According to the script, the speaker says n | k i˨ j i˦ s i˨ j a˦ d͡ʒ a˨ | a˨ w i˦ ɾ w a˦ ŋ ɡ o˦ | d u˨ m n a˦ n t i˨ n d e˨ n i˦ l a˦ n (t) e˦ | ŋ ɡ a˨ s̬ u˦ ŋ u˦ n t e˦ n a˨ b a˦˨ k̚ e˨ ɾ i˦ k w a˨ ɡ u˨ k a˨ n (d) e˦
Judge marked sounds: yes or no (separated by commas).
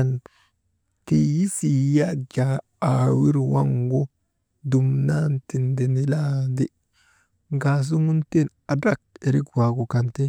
no, no